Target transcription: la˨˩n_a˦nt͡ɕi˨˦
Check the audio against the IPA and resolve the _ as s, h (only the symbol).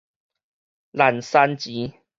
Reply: s